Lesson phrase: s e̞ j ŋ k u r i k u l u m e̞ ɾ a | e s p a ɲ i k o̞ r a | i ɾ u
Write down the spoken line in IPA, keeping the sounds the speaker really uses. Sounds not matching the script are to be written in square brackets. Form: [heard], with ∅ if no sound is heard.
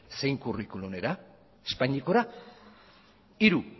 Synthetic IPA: s e̞ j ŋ k u r i k u l u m e̞ ɾ a | e s p a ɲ i k o̞ [ɾ] a | i ɾ u